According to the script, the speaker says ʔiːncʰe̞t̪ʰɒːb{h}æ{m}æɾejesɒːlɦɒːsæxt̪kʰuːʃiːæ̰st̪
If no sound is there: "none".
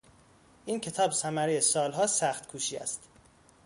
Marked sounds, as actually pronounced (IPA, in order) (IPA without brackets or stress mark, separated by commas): s, m